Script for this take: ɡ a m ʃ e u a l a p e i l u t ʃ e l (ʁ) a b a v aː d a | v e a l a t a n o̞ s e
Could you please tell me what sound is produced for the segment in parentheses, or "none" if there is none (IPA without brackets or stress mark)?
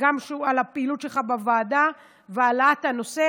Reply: χ